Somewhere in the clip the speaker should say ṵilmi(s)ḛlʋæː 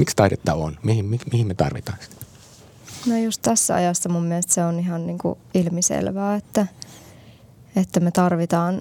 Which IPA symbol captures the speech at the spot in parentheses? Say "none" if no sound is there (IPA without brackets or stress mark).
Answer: s